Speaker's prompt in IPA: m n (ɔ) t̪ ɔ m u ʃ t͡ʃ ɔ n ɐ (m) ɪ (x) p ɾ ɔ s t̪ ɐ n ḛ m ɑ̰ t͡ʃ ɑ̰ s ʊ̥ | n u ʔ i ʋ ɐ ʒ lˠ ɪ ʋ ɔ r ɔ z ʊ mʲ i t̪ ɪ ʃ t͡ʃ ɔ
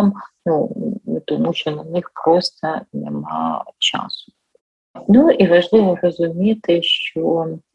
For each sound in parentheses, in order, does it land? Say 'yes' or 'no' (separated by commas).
no, no, yes